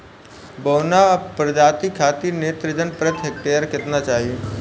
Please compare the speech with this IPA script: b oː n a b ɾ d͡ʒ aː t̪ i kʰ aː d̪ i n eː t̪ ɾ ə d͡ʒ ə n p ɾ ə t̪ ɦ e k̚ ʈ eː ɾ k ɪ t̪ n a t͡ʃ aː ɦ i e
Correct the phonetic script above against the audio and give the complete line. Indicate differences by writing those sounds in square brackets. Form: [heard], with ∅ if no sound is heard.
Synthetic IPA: b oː n a [p] ɾ d͡ʒ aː t̪ i kʰ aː [t̪] i n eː t̪ ɾ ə d͡ʒ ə n p ɾ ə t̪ ɦ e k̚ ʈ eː ɾ k ɪ t̪ n a t͡ʃ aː ɦ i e